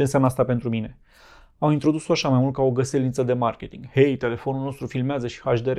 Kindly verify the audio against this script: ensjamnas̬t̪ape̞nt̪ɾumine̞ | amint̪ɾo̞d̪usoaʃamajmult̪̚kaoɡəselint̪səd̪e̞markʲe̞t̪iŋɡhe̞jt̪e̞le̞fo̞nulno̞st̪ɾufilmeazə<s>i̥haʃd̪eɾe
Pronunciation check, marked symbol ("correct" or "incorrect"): incorrect